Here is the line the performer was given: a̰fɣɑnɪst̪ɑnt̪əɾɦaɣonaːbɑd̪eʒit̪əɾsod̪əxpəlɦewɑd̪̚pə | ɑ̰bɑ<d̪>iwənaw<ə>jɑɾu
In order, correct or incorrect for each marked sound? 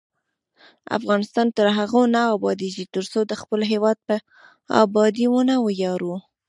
correct, correct

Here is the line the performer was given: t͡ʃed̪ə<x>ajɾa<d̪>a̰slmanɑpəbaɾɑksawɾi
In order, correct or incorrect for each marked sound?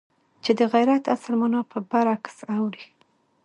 incorrect: ɣ, incorrect: t̪

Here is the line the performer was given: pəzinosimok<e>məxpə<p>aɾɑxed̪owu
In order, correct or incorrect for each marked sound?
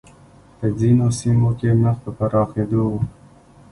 correct, correct

